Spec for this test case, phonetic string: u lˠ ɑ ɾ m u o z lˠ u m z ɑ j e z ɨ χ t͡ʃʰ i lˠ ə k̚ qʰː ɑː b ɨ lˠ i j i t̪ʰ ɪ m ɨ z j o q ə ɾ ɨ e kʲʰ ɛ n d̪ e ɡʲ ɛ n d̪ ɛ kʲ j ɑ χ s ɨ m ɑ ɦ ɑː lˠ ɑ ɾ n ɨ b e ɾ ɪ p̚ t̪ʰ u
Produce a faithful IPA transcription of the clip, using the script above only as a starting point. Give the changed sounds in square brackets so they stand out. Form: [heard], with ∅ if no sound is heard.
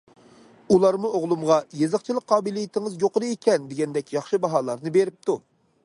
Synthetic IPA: u lˠ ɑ ɾ m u o [ʁ] lˠ u m [ʁ] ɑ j e z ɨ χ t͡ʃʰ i lˠ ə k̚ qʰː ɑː b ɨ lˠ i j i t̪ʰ ɪ [ŋ] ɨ z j o q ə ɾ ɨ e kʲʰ ɛ n d̪ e ɡʲ ɛ n d̪ ɛ kʲ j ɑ χ [ʃ] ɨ [b] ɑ ɦ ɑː lˠ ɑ ɾ n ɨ b e ɾ ɪ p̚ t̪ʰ u